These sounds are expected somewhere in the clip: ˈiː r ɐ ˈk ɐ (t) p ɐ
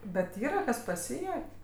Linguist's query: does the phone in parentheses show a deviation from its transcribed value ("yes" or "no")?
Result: yes